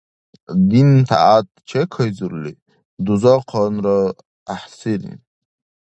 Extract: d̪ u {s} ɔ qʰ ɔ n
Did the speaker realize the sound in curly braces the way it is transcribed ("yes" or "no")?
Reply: no